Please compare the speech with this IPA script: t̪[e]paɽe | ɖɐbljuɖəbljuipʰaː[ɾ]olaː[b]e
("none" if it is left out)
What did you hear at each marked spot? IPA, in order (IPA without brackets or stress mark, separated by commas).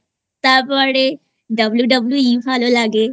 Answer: a, l, ɡ